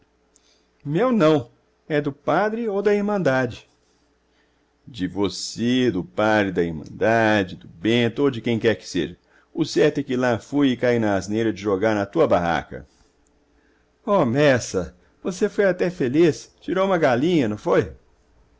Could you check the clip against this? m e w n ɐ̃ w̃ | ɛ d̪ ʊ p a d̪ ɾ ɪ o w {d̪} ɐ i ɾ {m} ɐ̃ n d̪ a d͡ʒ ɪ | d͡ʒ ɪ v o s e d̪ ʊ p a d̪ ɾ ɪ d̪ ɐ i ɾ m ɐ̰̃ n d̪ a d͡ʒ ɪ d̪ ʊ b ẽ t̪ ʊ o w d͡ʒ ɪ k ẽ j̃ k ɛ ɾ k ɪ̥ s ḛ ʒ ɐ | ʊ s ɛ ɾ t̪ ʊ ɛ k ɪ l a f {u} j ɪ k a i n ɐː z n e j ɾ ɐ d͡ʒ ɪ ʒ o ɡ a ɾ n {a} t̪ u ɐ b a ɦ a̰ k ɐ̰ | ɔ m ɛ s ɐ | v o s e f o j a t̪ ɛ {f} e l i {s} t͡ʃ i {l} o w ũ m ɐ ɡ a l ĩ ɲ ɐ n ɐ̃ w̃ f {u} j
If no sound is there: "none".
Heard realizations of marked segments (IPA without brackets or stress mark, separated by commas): d̪, m, u, ɐ, f, s, ɾ, o